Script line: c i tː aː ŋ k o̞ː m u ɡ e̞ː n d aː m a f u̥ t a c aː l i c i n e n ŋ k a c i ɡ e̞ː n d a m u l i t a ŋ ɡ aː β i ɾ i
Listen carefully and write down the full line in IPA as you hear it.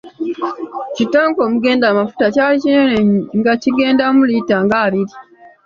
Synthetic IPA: c i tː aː ŋ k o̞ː m u ɡ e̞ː n d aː m a f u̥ t a c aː l i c i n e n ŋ ɡ a c i ɡ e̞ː n d a m u l i t a ŋ ɡ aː β i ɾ i